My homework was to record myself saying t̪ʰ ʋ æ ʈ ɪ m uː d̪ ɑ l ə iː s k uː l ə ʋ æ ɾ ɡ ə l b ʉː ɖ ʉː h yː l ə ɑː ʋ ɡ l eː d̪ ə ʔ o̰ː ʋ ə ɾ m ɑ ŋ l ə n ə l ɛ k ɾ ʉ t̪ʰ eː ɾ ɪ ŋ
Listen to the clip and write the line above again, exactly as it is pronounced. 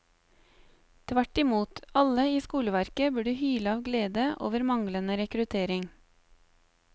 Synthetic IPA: t̪ʰ ʋ æ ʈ ɪ m uː t̪ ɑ l ə iː s k uː l ə ʋ æ ɾ k ə b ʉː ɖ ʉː h yː l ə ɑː ʋ ɡ l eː d̪ ə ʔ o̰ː ʋ ə ɾ m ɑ ŋ l ə n ə ɾ ɛ k ɾ ʉ t̪ʰ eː ɾ ɪ ŋ